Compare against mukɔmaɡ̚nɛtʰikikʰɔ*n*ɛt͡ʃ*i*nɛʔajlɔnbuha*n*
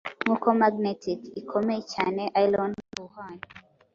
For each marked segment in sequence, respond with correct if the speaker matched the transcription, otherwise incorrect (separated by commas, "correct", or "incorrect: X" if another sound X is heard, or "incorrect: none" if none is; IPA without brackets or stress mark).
incorrect: m, incorrect: a, correct